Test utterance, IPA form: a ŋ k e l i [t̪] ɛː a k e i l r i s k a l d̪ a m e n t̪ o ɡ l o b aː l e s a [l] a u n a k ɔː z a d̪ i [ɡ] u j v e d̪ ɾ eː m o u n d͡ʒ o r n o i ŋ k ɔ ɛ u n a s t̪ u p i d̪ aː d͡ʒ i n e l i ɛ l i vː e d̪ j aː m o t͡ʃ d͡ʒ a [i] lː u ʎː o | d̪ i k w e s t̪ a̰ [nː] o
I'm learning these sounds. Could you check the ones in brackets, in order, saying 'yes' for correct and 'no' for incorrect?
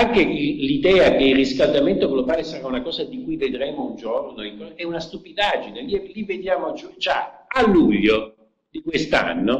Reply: no, no, no, no, yes

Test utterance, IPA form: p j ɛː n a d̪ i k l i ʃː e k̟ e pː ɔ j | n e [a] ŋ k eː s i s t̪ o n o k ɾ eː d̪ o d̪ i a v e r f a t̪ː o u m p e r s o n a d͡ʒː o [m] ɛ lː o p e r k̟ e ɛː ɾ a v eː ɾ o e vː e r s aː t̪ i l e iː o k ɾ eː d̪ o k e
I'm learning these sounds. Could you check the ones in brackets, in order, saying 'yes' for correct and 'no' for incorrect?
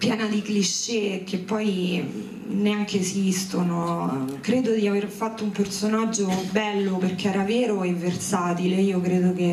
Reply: yes, no

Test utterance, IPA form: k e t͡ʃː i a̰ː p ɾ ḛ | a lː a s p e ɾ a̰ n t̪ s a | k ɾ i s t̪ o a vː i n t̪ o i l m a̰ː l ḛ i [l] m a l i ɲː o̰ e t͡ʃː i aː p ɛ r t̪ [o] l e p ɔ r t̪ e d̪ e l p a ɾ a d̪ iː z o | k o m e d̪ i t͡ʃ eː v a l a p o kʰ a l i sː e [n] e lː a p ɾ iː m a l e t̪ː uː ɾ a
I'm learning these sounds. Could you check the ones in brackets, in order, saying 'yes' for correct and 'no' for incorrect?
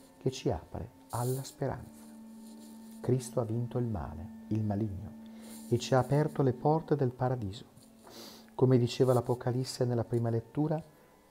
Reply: yes, yes, yes

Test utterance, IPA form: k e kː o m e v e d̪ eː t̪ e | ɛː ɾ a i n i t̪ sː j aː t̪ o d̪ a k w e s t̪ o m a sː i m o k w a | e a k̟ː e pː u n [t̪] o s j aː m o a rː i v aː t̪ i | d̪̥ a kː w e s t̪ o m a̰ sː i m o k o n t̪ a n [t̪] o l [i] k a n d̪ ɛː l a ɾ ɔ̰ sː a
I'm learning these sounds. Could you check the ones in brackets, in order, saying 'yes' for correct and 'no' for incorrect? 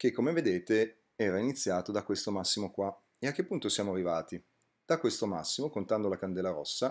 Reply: yes, no, no

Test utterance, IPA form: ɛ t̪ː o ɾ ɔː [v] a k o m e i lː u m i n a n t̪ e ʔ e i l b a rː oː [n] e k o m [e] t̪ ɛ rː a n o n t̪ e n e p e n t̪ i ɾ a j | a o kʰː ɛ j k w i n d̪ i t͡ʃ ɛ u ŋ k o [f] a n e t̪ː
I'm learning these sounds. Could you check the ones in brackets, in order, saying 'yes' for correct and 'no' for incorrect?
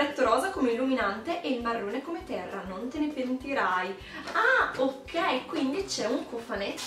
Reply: no, yes, yes, yes

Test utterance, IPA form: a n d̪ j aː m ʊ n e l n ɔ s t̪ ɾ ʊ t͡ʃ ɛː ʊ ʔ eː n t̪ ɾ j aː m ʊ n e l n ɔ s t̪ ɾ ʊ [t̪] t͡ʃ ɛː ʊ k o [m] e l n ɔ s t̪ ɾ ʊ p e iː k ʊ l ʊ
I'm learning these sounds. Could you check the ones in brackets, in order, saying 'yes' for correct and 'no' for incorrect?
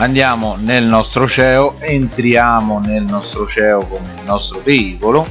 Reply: no, yes

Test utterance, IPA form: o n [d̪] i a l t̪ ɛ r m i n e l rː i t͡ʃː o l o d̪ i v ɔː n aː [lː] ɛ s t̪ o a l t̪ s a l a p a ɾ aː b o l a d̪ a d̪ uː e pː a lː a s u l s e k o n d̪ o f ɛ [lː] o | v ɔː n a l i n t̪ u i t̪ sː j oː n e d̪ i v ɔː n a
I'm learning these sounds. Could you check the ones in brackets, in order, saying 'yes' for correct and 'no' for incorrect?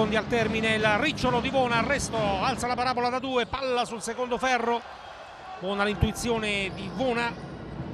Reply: yes, no, no

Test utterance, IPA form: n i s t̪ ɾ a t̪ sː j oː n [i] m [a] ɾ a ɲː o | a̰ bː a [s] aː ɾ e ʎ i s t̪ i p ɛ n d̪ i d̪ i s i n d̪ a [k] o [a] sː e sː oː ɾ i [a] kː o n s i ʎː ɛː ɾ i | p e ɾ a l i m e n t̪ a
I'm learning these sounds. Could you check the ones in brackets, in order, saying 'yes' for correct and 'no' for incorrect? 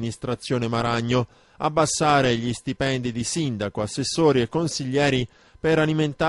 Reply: no, yes, no, yes, yes, no

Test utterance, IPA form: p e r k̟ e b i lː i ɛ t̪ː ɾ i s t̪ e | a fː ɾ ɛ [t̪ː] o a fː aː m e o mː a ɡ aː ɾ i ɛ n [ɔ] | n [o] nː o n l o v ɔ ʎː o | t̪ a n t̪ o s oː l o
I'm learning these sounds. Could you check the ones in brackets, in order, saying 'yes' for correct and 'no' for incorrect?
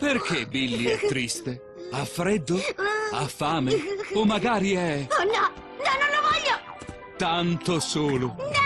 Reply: no, yes, no

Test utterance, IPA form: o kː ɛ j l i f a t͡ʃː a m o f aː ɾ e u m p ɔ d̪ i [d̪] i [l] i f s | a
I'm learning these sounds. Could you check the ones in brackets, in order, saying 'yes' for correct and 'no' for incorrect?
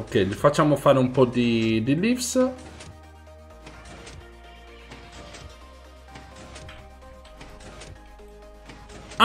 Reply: yes, yes

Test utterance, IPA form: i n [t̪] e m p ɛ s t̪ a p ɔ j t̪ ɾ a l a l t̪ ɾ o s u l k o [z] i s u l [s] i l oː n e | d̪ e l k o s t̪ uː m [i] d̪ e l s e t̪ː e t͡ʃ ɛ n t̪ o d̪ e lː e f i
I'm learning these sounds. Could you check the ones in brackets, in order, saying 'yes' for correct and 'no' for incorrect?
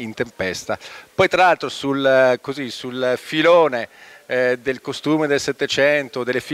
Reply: yes, yes, no, no

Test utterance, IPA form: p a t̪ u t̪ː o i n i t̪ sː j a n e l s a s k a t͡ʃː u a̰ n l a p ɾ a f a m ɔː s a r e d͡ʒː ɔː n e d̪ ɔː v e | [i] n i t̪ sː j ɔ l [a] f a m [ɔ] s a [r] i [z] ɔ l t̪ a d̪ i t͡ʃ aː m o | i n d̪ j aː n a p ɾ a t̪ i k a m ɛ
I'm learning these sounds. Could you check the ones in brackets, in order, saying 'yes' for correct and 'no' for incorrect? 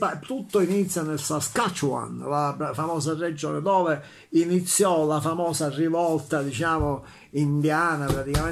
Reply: yes, yes, no, yes, no

